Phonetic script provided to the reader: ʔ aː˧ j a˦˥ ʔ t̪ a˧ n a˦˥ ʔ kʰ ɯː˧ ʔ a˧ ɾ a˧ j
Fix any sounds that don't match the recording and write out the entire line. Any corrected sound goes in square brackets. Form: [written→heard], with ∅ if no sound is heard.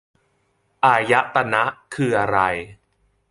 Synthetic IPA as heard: ʔ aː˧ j a˦˥ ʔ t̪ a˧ n a˦˥ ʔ kʰ ɯː˧ ʔ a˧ ɾ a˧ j